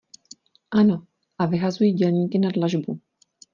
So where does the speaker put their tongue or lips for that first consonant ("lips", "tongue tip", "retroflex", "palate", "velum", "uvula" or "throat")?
throat